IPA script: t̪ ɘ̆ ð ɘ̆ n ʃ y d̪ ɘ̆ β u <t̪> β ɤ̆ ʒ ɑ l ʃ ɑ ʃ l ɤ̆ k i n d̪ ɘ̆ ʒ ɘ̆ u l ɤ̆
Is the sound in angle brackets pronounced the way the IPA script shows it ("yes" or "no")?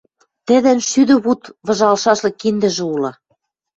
yes